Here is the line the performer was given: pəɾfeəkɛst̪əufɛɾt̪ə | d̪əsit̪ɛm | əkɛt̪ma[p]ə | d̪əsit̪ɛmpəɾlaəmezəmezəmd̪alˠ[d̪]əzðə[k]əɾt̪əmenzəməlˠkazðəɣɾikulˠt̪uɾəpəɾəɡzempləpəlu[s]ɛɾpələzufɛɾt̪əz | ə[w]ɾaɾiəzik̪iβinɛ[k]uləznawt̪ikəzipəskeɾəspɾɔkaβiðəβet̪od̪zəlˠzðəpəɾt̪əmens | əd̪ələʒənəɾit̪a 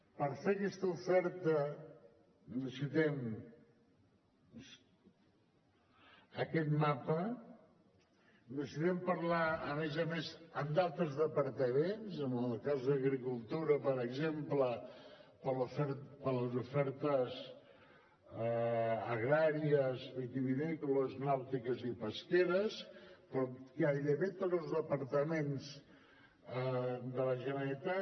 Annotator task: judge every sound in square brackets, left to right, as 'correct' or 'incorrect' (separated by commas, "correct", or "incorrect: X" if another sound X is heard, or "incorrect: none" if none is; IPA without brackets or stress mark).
correct, incorrect: t̪, incorrect: p, incorrect: f, incorrect: ɣ, correct